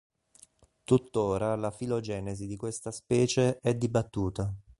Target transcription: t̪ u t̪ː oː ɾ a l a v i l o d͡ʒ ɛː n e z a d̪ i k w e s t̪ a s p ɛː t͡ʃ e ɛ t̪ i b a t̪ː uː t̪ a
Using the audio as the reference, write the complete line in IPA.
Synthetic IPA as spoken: t̪ u t̪ː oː ɾ a l a f i l o d͡ʒ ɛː n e z i d̪ i k w e s t̪ a s p ɛː t͡ʃ e ɛ d̪ i b a t̪ː uː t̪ a